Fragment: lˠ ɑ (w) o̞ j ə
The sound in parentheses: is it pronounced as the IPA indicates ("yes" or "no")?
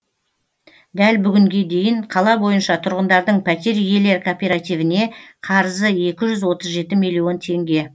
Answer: no